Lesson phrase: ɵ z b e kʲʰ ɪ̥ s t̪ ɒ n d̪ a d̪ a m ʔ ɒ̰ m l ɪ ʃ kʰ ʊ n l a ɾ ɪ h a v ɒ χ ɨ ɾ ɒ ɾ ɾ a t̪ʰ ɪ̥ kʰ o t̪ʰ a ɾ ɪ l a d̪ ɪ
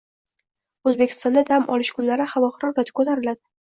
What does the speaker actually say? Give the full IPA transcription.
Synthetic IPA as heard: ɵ z b e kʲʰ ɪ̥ s t̪ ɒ n d̪ a d̪ a m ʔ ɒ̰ l ɪ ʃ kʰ ʊ n l a ɾ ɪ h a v ɒ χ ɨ ɾ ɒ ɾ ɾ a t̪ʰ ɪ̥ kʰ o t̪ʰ a ɾ ɪ l a d̪ ɪ